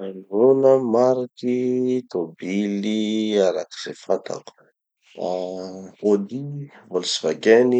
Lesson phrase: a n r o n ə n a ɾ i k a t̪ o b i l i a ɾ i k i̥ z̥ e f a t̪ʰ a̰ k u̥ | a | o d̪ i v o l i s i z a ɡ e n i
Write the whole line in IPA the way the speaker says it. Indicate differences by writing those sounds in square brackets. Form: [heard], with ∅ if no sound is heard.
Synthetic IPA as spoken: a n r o n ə [m] a ɾ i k [i] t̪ o b i l i a ɾ [a] k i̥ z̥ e f a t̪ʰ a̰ k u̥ | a | o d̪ i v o l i s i [v] a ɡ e n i